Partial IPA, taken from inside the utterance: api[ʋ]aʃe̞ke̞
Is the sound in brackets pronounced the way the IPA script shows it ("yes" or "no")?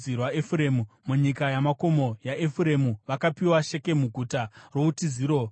no